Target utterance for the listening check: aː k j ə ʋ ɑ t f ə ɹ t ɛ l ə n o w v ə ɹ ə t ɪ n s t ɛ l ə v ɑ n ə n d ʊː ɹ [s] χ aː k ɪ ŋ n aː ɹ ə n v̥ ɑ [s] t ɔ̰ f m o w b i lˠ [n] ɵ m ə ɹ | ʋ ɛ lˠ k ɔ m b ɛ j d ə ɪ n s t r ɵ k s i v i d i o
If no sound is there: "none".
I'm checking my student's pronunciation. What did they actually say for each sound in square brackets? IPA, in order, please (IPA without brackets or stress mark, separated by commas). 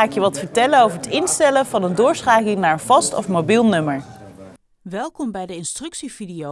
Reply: s, s, n